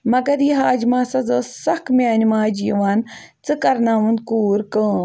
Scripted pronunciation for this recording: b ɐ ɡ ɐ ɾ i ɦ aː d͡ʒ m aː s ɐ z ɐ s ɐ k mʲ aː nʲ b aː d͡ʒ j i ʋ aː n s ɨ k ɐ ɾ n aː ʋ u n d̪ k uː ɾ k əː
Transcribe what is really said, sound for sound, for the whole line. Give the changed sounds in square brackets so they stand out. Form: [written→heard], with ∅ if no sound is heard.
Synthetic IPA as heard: [b→m] ɐ ɡ ɐ ɾ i ɦ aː d͡ʒ m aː s ɐ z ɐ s ɐ k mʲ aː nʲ [b→m] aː d͡ʒ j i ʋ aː n [s→t͡s] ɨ k ɐ ɾ n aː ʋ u n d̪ k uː ɾ k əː